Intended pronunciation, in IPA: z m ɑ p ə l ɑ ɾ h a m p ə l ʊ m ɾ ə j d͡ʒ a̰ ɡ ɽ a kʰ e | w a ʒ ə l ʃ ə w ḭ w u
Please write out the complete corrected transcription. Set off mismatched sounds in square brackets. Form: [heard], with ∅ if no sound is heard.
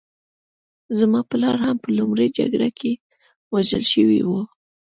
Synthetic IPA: z m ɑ p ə l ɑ ɾ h a m p ə l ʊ m ɾ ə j d͡ʒ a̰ ɡ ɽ a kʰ e | w a ʒ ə l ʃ ə w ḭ w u